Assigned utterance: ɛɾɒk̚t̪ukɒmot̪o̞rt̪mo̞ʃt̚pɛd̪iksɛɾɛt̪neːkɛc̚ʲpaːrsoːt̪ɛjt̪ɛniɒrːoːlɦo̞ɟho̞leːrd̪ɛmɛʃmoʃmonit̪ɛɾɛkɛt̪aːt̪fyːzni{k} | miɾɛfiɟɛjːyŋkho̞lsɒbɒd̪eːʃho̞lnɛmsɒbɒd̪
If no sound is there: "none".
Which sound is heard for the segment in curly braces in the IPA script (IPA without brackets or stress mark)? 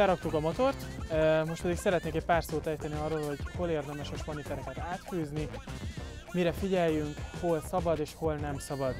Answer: none